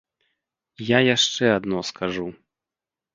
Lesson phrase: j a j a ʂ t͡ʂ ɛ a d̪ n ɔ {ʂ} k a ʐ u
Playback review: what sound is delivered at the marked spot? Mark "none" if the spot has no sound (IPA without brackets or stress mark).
s